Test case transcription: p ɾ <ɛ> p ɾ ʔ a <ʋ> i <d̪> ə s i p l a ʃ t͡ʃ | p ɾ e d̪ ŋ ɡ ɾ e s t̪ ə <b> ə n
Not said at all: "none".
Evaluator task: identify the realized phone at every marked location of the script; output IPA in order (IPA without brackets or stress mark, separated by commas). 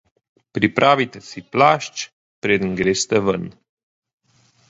i, v, t̪, v